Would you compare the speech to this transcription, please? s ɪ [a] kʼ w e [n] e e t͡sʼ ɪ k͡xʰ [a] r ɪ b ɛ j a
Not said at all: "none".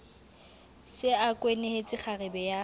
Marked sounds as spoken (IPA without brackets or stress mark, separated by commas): a, n, a